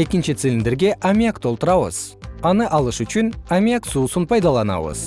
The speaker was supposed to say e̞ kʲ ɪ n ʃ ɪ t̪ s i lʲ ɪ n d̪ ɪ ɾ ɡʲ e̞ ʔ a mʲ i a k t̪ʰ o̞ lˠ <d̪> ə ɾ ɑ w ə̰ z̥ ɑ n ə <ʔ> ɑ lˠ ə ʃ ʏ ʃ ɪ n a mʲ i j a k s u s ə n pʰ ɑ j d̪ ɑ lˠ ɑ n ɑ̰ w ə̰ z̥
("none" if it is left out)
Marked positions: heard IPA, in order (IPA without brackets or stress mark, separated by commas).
t̪, ʔ